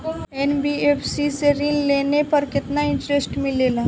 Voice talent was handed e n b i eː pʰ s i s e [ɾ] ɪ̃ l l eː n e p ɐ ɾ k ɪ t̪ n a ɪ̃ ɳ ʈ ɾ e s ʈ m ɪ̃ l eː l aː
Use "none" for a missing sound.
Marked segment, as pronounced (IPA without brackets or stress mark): ɾ